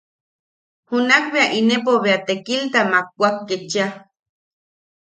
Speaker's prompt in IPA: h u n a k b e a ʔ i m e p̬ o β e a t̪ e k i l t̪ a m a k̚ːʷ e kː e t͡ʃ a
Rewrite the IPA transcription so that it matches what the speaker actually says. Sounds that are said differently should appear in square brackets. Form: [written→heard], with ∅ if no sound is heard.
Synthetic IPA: h u n a k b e a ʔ i [m→n] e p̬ o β e a t̪ e k i l t̪ a m a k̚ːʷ [e→a] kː e t͡ʃ a

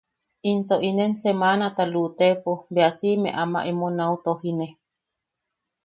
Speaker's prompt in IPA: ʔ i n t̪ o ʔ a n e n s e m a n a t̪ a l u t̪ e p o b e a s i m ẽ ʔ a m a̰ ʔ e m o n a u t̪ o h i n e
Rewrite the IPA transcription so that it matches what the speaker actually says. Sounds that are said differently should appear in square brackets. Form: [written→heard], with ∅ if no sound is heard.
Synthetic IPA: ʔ i n t̪ o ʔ [a→i] n e n s e m a n a t̪ a l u t̪ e p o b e a s i m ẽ ʔ a m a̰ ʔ e m o n a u t̪ o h i n e

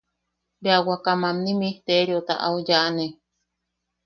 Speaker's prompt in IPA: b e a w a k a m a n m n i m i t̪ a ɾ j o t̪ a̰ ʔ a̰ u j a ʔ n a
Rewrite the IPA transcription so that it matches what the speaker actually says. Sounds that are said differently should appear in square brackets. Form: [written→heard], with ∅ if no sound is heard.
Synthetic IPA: b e a w a k a m a [n→∅] m n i m i t̪ [a→e] ɾ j o t̪ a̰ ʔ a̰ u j a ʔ n [a→e]

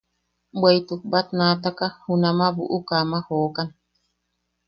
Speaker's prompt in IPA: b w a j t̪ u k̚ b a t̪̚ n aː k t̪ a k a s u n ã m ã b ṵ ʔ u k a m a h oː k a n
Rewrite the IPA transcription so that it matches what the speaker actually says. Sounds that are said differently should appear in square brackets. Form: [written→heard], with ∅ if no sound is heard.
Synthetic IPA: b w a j t̪ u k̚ b a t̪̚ n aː [k→∅] t̪ a k a [s→h] u n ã m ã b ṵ ʔ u k a m a h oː k a n

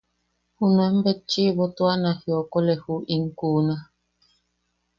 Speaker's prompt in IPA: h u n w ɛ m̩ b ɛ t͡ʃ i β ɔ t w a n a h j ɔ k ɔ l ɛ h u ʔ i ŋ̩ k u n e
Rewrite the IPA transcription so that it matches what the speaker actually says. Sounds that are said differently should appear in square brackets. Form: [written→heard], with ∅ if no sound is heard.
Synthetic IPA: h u n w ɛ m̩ b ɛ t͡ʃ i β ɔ t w a n a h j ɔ k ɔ l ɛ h u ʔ i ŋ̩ k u n [e→a]

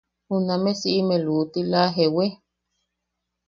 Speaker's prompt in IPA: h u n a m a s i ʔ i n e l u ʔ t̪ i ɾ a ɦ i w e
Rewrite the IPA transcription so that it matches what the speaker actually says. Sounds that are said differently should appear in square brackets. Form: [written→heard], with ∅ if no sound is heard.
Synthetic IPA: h u n a m [a→e] s i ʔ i [n→m] e l u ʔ t̪ i [ɾ→l] a ɦ [i→e] w e

